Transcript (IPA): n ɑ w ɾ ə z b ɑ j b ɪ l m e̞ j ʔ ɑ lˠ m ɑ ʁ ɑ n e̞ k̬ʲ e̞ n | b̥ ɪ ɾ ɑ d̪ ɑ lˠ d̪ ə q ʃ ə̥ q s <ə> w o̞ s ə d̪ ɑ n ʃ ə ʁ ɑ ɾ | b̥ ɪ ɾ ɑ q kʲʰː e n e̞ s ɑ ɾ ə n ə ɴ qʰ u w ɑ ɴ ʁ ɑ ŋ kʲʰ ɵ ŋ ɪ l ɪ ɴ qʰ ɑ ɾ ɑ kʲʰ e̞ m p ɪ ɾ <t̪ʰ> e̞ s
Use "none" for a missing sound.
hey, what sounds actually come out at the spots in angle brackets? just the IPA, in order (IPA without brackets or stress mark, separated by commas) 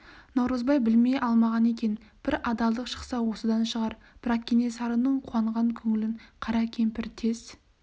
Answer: ɑ, t̪ʰ